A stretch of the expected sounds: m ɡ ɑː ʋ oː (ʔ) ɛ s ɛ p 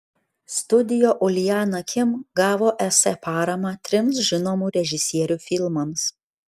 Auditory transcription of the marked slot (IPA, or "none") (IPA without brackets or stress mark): ʔ